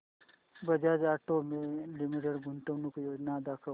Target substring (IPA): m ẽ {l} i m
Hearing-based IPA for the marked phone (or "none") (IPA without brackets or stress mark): l